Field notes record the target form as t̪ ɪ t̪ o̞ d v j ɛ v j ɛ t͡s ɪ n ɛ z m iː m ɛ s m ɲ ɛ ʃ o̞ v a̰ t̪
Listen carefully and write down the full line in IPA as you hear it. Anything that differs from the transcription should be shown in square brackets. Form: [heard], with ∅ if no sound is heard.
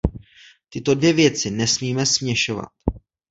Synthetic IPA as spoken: t̪ ɪ t̪ o̞ d v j ɛ v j ɛ t͡s ɪ n ɛ [s] m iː m ɛ s m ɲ ɛ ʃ o̞ v a̰ t̪